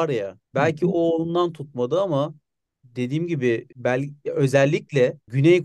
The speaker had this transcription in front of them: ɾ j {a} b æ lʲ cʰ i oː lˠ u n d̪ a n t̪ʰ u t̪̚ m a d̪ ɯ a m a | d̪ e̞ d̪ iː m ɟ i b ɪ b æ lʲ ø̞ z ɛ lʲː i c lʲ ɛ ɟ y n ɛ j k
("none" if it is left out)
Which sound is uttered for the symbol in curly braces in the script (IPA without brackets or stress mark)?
a